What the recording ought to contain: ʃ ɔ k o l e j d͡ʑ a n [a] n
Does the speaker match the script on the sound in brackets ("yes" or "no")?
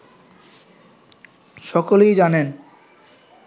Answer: no